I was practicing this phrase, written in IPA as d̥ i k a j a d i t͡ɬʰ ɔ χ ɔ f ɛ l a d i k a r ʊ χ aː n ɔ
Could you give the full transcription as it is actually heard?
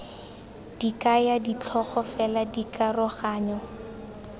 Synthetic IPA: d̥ i k a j a d i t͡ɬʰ ɔ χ ɔ f ɛ l a d i k a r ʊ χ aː ɲ ɔ